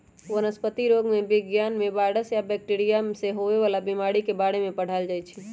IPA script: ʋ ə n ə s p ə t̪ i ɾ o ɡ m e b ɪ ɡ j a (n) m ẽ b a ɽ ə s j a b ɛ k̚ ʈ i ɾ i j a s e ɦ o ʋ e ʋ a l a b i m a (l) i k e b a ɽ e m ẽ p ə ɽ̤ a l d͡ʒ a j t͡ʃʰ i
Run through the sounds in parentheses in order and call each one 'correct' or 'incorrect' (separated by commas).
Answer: correct, incorrect